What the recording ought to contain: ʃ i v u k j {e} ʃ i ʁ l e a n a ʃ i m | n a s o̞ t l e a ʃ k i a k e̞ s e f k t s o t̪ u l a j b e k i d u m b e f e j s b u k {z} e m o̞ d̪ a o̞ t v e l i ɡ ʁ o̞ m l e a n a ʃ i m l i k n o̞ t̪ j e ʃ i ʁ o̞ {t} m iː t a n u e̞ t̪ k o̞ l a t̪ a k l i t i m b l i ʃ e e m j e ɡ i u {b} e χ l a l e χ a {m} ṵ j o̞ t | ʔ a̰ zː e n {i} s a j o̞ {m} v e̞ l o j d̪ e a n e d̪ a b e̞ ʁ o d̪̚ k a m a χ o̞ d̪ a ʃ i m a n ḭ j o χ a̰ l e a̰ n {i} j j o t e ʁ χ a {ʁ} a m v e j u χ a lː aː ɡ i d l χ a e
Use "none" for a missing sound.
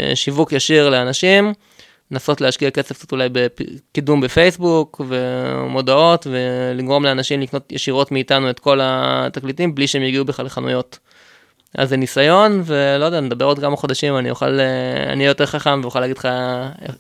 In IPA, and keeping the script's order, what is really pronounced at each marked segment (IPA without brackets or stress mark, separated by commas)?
a, v, t, b, n, i, n, i, χ